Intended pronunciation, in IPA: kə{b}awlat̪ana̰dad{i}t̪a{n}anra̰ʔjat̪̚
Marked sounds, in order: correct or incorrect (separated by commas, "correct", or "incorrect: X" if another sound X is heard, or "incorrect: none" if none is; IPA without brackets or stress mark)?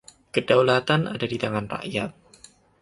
incorrect: d, correct, incorrect: ŋ